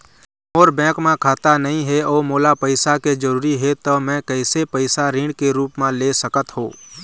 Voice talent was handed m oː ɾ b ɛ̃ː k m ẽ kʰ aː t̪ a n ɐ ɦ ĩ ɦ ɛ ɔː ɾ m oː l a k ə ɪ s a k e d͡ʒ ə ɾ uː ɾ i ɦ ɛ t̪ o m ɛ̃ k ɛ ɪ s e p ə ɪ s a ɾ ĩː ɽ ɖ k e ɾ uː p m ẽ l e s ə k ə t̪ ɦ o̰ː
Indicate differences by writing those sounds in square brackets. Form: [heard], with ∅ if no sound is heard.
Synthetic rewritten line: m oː ɾ b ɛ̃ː k m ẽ kʰ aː t̪ a n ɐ ɦ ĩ ɦ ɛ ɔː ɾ m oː l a [p] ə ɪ s a k e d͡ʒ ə ɾ uː ɾ i ɦ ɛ t̪ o m ɛ̃ k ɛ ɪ s e p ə ɪ s a ɾ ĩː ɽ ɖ k e ɾ uː p m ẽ l e s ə k ə t̪ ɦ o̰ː